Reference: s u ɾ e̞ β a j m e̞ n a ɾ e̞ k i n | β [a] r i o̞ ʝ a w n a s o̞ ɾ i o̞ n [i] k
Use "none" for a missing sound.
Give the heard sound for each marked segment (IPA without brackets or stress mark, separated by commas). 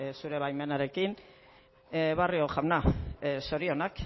a, a